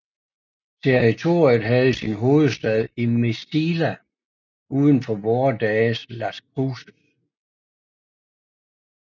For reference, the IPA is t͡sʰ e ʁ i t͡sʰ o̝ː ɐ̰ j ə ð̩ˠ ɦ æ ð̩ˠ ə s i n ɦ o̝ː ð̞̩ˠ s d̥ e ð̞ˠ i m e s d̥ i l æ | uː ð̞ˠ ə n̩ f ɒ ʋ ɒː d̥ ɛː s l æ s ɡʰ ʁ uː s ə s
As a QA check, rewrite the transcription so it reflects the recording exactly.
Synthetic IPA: t͡sʰ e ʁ i t͡sʰ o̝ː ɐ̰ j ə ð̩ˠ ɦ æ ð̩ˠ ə s i n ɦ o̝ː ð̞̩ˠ s d̥ ɛ ð̞ˠ i m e s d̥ i l æ | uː ð̞ˠ ə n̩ f ɒ ʋ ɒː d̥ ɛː s l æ s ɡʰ ʁ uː s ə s